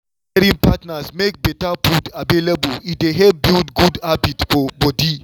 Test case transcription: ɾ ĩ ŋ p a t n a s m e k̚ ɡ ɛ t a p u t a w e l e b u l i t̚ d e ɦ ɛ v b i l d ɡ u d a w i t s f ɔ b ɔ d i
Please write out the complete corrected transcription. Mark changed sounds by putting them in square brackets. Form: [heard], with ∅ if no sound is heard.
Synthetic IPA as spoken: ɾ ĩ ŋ p a t n a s m e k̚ [b] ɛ t a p u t a [v] e l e b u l i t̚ d e ɦ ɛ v b i l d ɡ u d a [b] i t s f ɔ b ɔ d i